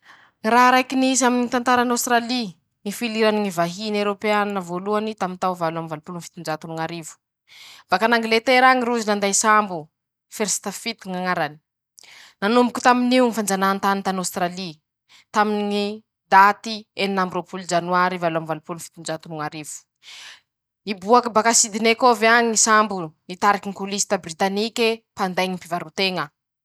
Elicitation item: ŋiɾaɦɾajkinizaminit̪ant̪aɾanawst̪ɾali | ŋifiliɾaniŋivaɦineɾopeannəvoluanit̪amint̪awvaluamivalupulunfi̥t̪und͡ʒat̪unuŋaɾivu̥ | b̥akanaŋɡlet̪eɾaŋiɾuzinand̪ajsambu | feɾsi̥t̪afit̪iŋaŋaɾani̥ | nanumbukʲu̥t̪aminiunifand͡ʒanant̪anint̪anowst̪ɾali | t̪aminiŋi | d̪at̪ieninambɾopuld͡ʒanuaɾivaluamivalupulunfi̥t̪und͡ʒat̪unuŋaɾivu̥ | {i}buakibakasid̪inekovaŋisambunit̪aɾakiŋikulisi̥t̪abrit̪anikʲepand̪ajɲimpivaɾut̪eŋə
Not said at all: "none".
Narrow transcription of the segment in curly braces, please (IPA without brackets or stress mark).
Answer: i